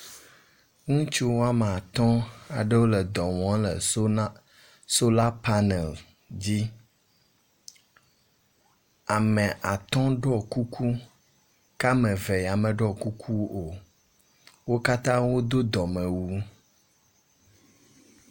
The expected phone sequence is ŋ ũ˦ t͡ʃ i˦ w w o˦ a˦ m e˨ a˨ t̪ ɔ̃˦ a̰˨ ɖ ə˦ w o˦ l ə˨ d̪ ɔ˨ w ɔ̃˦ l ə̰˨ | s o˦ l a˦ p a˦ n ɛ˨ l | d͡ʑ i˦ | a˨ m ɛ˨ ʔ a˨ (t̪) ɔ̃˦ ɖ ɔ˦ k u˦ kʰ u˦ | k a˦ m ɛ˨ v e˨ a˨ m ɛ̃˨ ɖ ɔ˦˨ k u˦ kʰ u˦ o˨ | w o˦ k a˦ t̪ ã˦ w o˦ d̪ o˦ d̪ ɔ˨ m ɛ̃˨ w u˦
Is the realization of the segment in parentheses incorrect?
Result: no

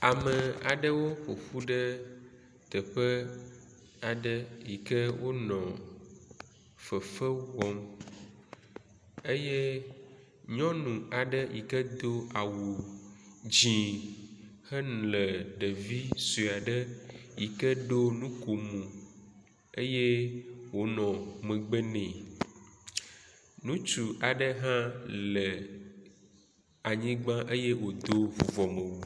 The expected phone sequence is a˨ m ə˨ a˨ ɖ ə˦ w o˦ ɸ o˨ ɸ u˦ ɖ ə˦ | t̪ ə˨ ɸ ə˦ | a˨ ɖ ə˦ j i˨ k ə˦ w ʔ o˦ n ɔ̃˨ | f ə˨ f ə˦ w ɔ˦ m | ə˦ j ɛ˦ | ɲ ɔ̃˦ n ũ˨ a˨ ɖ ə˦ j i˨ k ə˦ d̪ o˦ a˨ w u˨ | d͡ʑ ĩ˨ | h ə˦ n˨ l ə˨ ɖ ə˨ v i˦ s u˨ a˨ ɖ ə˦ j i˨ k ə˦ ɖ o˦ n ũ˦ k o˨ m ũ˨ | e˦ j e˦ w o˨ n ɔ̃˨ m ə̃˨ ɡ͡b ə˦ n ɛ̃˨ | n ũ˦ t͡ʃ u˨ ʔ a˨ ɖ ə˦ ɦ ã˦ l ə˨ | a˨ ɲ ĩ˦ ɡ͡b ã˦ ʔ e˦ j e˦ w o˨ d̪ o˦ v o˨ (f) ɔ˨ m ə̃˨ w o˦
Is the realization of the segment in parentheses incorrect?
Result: yes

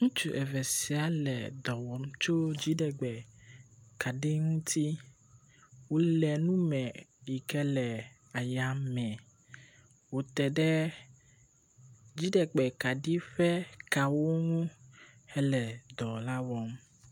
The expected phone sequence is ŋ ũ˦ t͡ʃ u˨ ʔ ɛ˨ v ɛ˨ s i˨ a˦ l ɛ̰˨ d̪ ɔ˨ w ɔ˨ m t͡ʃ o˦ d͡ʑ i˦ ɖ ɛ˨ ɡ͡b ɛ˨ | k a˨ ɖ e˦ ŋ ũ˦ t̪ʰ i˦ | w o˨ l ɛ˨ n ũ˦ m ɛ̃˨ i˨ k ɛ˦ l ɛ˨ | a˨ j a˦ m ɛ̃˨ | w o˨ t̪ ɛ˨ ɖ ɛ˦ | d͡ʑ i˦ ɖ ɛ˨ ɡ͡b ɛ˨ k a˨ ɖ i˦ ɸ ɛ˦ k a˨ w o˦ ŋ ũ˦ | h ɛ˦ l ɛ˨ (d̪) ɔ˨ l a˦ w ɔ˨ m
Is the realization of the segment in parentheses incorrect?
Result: no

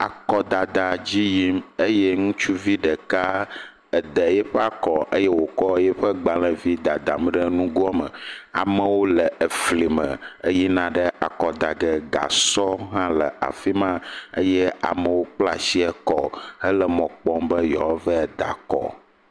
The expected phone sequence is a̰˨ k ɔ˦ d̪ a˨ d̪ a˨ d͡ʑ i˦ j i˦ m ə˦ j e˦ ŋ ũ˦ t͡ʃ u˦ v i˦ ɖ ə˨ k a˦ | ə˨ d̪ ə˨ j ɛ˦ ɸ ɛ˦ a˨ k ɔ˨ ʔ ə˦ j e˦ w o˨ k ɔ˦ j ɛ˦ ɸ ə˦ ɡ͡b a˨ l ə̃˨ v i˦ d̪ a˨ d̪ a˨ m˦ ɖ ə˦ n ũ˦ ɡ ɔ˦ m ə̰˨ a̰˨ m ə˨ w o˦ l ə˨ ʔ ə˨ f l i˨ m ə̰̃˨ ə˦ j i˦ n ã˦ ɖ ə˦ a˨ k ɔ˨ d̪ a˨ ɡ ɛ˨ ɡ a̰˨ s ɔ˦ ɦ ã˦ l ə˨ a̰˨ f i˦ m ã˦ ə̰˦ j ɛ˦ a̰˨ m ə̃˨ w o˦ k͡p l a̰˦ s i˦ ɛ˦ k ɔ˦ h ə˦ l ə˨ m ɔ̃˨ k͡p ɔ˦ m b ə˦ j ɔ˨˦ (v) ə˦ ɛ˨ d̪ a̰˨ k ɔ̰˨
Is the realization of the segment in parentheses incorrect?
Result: no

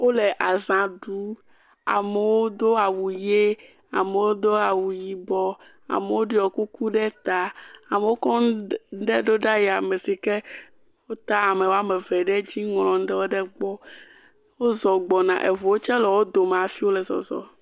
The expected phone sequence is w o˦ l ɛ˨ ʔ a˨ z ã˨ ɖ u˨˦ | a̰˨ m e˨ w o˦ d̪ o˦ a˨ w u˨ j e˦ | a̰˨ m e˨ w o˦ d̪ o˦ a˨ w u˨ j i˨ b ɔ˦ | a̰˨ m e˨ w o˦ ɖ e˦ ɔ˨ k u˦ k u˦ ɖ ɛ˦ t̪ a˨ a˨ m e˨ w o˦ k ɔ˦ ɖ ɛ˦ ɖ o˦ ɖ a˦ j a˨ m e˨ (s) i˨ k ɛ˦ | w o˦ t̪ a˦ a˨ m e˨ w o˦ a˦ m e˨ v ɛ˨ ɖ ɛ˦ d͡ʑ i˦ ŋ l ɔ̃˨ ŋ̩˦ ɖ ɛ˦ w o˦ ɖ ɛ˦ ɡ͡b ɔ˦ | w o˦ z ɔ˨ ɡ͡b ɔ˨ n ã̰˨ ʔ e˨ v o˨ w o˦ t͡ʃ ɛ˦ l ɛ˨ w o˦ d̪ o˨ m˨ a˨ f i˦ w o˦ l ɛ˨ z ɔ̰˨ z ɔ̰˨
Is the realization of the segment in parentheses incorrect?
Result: no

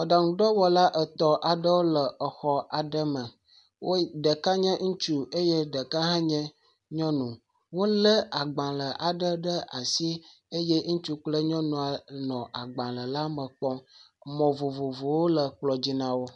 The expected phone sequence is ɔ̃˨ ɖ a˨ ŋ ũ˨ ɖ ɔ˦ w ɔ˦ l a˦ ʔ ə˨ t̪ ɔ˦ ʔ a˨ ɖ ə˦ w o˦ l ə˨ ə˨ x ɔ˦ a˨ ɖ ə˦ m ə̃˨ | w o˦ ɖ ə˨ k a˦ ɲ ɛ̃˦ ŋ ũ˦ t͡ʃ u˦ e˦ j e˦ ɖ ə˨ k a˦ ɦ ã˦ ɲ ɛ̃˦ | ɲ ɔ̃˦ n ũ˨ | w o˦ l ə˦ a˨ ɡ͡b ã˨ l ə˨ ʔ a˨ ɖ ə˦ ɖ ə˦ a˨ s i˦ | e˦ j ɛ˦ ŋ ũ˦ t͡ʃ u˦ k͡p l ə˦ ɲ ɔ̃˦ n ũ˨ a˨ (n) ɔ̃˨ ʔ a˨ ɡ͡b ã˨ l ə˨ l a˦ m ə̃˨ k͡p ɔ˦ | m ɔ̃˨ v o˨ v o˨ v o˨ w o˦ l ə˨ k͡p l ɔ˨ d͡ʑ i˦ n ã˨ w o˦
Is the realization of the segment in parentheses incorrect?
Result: no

